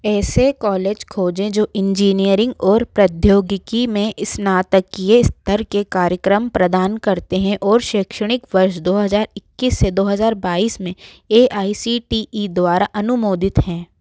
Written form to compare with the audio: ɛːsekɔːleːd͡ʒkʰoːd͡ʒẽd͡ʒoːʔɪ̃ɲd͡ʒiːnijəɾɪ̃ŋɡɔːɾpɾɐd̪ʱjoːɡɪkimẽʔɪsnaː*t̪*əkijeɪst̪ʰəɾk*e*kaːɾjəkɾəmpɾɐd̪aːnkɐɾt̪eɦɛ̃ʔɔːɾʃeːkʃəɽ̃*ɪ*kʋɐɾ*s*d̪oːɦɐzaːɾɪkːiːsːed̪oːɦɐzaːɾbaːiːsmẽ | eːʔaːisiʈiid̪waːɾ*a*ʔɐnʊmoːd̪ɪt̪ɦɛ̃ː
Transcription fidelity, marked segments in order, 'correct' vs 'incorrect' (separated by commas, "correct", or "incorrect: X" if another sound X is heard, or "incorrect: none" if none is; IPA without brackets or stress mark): correct, correct, correct, incorrect: ʃ, correct